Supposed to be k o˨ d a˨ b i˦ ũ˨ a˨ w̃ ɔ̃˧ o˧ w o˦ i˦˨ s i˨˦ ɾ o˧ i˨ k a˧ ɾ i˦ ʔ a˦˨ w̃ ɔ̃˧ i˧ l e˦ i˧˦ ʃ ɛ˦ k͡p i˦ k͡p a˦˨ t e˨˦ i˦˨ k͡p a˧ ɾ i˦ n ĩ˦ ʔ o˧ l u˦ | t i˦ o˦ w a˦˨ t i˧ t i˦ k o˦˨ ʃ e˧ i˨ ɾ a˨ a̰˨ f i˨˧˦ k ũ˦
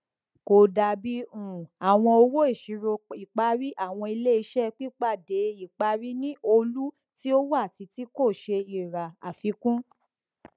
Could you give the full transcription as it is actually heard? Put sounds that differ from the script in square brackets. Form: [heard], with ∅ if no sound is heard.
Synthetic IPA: k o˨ d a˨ b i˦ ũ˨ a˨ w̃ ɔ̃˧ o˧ w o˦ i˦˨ [ʃ] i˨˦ ɾ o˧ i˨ [k͡p] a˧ ɾ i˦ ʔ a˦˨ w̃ ɔ̃˧ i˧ l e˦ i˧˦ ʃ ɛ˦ k͡p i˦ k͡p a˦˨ [d] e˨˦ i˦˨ k͡p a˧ ɾ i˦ n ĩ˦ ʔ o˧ l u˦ | t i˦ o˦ w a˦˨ t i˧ t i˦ k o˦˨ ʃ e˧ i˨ ɾ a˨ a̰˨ f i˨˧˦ k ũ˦